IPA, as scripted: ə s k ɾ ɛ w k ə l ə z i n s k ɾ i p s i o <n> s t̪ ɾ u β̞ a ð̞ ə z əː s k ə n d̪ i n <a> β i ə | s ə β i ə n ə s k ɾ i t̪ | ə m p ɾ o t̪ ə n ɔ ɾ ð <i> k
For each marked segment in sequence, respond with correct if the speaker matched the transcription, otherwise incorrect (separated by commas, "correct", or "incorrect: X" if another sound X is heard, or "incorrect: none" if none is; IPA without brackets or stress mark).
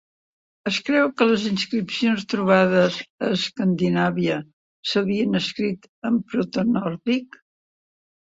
correct, correct, correct